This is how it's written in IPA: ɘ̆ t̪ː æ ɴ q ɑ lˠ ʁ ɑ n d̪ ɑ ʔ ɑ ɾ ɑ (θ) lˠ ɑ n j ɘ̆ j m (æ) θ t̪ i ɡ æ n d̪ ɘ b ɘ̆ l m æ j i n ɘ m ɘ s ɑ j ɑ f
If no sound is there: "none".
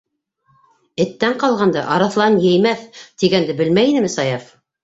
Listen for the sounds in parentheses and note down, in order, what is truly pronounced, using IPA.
θ, æ

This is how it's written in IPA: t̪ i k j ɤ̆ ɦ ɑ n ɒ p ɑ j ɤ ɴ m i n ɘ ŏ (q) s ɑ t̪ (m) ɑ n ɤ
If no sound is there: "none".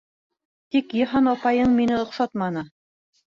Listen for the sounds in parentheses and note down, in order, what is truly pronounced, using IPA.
q, m

